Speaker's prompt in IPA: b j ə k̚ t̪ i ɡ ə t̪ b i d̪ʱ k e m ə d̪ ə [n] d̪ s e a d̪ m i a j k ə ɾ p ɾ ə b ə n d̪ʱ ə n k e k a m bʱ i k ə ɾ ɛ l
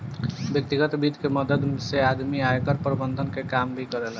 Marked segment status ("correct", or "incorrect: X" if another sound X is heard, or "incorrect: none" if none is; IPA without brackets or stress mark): incorrect: none